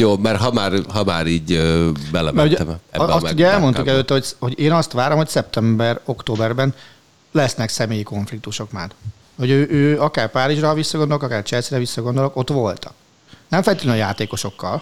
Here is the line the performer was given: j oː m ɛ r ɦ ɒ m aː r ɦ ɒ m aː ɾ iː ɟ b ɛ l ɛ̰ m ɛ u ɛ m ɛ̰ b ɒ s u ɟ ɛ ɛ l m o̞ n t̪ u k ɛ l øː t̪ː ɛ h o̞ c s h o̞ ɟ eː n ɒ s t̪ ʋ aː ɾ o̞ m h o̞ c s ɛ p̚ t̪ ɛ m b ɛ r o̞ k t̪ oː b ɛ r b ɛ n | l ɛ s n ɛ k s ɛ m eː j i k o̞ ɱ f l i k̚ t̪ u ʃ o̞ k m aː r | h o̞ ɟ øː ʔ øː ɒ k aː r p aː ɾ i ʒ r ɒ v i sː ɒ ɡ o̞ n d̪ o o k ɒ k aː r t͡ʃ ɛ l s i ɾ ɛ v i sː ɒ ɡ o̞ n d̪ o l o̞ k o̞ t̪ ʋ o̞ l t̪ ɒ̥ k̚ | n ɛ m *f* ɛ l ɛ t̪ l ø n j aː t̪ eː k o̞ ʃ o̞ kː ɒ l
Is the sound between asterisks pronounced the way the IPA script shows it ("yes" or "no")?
yes